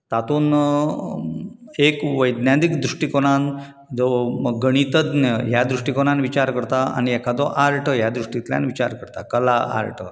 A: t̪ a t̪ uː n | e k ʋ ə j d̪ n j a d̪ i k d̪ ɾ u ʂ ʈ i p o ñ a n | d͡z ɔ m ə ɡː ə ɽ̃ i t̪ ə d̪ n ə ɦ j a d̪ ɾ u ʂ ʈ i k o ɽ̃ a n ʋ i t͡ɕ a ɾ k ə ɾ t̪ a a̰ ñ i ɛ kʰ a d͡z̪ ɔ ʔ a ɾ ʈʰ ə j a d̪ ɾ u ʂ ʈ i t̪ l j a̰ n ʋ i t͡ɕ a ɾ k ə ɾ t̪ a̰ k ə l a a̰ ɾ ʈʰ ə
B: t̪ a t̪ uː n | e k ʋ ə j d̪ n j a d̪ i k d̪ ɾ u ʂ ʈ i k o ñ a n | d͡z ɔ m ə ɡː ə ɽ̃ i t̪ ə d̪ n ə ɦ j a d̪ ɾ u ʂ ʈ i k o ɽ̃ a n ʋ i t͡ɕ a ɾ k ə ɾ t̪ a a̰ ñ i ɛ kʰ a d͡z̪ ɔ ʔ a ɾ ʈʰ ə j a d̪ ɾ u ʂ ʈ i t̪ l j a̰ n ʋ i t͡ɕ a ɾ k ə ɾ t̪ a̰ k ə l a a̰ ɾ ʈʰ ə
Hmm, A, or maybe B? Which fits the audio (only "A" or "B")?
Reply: B